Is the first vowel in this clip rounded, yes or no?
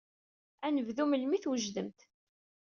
no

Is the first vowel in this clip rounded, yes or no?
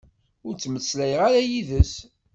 yes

